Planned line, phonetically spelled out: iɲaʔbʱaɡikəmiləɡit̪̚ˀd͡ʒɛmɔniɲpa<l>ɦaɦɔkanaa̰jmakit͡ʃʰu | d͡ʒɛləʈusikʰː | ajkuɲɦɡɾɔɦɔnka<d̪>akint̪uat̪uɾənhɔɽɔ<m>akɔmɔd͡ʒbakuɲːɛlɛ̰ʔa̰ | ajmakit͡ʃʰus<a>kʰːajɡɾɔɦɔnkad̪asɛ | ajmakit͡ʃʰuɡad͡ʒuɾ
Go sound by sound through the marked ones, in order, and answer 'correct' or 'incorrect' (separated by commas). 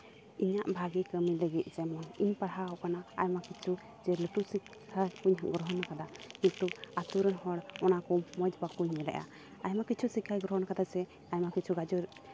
incorrect, correct, incorrect, incorrect